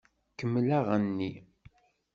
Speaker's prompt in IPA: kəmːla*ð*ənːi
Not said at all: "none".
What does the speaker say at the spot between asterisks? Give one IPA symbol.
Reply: ʁ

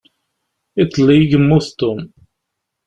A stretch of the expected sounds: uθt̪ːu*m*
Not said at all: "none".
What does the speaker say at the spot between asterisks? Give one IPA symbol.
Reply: m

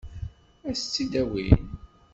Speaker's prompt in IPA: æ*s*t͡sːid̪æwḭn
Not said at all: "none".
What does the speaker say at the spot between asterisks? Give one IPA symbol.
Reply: s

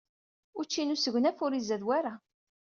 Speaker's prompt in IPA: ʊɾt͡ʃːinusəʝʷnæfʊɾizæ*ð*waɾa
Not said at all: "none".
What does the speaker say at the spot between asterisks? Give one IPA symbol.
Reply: ð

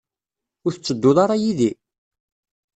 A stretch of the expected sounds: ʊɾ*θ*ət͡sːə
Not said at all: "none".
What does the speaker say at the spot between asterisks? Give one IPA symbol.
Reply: θ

